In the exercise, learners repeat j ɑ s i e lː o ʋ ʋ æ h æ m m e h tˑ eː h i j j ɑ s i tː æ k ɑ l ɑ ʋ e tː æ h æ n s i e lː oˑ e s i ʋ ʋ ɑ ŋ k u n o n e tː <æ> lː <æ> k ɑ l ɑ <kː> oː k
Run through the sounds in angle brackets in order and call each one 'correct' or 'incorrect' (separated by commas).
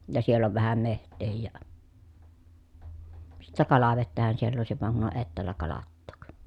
incorrect, correct, incorrect